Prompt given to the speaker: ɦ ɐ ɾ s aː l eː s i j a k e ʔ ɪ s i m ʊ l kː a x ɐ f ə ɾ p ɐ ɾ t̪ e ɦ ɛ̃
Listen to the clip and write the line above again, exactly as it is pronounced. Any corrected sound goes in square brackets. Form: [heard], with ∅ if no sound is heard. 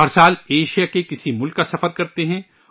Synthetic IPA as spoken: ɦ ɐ ɾ s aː l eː [ʃ] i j a k e [k] ɪ s i m ʊ l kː a [s] ɐ f ə ɾ [k] ɐ ɾ t̪ e ɦ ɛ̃